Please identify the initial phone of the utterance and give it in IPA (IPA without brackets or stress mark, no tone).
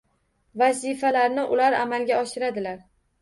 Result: v